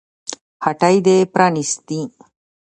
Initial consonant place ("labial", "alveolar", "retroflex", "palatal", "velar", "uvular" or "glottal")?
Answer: glottal